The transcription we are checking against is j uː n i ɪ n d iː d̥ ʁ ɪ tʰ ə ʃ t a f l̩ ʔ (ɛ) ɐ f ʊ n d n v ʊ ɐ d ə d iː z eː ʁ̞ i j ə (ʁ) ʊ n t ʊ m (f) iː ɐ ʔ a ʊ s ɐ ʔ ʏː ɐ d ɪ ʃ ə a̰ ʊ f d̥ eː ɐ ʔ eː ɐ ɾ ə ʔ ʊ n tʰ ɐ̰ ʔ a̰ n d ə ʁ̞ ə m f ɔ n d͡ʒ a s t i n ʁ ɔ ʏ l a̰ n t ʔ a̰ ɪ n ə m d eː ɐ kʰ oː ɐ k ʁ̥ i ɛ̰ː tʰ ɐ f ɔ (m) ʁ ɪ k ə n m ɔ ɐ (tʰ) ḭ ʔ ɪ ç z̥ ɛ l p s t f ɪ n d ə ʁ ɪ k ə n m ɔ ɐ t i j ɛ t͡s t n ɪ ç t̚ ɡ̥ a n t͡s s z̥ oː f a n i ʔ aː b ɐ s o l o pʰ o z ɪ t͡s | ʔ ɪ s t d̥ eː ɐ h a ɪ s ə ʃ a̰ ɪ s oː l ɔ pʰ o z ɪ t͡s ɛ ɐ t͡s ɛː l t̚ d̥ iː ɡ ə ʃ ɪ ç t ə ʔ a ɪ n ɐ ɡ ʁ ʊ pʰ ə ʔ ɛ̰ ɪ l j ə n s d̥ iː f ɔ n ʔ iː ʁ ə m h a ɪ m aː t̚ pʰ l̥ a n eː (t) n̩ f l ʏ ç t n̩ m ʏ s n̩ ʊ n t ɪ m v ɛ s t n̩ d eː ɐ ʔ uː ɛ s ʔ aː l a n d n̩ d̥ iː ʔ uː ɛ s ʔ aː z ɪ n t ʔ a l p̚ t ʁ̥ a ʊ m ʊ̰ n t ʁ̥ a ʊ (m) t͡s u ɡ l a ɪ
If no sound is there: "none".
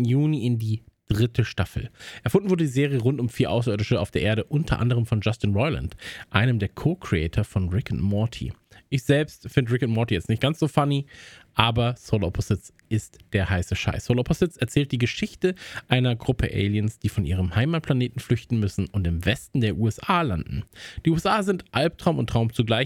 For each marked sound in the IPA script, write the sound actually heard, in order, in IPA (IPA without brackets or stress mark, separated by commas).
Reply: ɛ, ʁ, f, n, tʰ, t, m